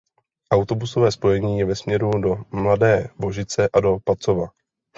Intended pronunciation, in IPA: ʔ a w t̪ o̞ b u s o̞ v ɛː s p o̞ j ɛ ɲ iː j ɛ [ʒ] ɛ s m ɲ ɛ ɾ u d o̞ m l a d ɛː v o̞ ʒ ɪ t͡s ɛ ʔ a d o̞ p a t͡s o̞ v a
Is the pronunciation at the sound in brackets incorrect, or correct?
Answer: incorrect